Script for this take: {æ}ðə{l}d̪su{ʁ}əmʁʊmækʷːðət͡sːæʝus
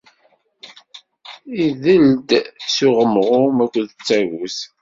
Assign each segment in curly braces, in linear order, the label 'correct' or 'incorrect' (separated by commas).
incorrect, correct, correct